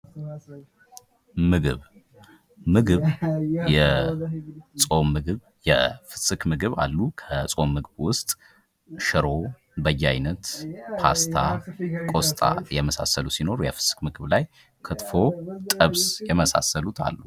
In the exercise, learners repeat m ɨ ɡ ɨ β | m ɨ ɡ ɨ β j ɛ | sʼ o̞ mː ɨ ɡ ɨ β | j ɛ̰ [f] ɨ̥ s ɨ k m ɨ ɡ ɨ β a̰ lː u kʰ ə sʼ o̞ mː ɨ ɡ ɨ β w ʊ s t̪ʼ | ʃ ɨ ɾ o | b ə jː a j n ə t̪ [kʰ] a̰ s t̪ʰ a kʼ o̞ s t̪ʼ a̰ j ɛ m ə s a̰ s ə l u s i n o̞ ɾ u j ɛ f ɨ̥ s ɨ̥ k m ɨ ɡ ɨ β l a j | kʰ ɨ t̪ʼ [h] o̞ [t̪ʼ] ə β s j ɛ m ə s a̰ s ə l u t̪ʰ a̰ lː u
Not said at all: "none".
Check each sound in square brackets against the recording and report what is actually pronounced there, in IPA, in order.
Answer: f, pʰ, f, t̪ʼ

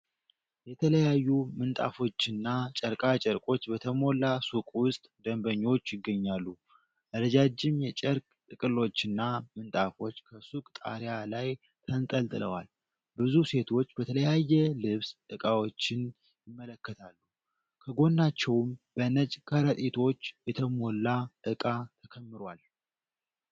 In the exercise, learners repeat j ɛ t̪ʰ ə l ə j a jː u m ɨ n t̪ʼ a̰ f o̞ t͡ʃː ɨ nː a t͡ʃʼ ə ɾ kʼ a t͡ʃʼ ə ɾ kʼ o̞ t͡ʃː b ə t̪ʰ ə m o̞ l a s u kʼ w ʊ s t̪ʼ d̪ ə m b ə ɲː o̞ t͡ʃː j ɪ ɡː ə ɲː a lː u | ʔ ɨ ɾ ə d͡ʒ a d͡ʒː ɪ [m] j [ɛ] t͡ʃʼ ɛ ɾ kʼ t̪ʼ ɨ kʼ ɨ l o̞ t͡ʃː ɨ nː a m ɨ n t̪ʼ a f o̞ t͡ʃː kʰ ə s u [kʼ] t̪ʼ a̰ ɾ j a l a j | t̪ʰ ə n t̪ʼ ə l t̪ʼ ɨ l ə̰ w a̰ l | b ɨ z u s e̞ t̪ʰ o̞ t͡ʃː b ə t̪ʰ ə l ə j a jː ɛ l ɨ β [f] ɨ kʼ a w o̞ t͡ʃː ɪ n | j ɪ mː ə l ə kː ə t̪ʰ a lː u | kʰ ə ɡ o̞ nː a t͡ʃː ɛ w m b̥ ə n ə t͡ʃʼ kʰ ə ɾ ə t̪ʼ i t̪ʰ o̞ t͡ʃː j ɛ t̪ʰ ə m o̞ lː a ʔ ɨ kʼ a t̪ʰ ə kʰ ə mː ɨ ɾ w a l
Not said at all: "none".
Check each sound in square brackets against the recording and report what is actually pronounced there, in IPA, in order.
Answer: m, ɛ, kʼ, s

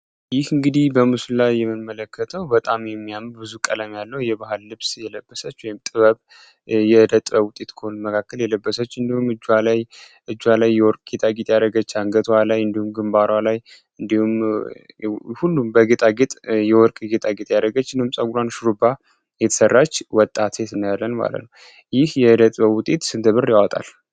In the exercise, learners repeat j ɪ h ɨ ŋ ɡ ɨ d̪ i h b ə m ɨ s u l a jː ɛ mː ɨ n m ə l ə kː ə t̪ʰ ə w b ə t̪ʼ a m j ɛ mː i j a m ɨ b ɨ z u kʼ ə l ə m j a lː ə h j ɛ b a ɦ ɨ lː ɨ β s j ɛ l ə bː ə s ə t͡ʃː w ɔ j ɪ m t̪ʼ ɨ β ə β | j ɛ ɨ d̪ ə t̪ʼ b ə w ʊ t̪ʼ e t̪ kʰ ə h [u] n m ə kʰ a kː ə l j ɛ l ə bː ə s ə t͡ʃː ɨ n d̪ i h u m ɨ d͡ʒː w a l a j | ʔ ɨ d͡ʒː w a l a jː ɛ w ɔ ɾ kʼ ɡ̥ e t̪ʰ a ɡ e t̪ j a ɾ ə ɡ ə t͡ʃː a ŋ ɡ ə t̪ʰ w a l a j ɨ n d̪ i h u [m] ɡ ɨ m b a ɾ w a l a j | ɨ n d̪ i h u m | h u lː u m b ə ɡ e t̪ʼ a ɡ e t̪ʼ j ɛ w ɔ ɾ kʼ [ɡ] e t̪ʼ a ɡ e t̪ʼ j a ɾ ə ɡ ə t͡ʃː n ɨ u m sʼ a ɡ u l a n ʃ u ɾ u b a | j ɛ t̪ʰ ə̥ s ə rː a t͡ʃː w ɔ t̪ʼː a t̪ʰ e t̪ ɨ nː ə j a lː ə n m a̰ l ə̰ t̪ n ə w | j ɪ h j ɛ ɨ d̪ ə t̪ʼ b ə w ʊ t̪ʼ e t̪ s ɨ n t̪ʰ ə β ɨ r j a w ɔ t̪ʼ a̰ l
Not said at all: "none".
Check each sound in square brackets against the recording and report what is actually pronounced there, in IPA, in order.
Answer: o, m, ɡ

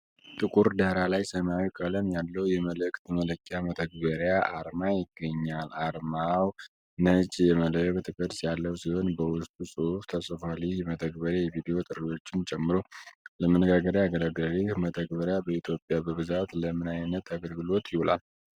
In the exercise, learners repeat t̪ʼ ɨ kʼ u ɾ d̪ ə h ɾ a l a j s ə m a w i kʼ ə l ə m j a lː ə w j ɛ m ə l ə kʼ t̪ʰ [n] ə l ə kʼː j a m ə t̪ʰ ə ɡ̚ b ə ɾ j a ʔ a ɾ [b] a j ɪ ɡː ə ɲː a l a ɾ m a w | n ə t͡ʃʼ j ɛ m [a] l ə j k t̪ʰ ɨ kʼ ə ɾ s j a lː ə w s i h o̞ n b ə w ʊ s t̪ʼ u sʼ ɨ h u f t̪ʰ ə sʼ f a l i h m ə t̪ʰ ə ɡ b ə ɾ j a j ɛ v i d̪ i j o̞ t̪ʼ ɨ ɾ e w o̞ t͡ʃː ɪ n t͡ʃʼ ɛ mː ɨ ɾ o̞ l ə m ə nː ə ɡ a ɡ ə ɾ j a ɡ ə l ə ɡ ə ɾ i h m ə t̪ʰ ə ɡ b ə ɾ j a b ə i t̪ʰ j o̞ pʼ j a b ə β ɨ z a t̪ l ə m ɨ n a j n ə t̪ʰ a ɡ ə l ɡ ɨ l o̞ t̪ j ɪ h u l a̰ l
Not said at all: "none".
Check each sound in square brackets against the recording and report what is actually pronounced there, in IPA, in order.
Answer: m, m, ə

